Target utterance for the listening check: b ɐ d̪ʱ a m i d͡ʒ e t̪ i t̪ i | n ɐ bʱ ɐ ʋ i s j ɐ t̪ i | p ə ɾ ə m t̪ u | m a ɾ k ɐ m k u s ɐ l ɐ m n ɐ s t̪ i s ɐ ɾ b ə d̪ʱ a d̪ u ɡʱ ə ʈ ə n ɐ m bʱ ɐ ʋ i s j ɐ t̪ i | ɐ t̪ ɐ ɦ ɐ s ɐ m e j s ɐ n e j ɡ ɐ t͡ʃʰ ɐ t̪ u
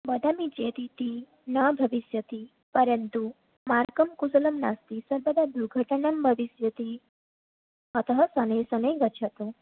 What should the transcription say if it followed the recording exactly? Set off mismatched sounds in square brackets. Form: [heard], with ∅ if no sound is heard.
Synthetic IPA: b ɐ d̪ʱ a m i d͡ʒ e t̪ i t̪ i | n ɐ bʱ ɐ ʋ i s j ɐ t̪ i | p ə ɾ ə [n] t̪ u | m a ɾ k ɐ m k u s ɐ l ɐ m n [a] s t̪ i s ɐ ɾ b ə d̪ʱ a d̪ u ɡʱ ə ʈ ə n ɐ m bʱ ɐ ʋ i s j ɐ t̪ i | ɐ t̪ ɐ ɦ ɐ s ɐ [n] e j s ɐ n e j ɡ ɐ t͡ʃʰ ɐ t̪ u